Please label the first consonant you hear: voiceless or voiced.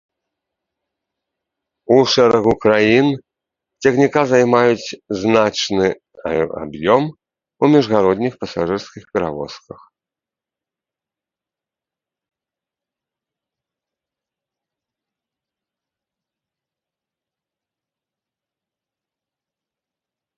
voiceless